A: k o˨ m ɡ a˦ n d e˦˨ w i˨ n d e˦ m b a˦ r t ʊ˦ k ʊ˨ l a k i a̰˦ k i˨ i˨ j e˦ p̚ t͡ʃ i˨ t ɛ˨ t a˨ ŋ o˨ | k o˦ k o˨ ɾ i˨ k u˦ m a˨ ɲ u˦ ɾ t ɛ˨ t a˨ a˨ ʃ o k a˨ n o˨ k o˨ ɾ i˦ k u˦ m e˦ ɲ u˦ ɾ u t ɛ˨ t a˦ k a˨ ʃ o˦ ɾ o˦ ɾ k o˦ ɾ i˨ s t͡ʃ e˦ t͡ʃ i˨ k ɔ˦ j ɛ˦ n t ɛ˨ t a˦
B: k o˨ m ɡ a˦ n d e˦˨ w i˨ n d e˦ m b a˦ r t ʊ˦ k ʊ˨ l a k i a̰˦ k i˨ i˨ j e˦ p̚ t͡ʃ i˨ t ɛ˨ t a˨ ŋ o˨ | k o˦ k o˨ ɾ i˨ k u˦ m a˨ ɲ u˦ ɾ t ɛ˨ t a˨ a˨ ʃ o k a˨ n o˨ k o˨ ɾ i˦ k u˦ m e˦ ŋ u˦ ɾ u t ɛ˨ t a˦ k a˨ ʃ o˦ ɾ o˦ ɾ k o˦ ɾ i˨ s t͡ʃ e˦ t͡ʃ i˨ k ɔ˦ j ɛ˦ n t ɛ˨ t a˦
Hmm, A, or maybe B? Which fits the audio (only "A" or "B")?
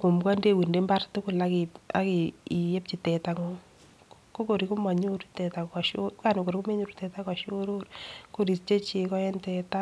A